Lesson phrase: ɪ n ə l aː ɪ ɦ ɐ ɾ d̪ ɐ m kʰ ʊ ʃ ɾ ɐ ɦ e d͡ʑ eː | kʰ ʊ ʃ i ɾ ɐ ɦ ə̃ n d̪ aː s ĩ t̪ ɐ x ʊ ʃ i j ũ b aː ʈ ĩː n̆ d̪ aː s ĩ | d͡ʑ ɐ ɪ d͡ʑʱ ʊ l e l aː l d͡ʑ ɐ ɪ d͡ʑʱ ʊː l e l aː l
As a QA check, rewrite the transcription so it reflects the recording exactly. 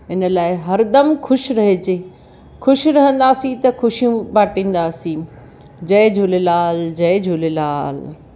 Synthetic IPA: ɪ n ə l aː ɪ ɦ ɐ ɾ d̪ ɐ m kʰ ʊ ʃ ɾ ɐ ɦ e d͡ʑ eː | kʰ ʊ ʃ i ɾ ɐ ɦ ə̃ n d̪ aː s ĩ t̪ ɐ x ʊ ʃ i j ũ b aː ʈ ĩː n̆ d̪ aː s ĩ | d͡ʑ ɐ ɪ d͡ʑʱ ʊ l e l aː l d͡ʑ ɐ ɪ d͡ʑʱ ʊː l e l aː l